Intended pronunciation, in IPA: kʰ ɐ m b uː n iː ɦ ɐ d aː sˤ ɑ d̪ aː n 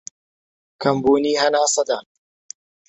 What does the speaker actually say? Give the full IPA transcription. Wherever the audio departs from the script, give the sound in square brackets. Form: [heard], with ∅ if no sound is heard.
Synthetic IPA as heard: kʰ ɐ m b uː n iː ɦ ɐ [n] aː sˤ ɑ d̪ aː n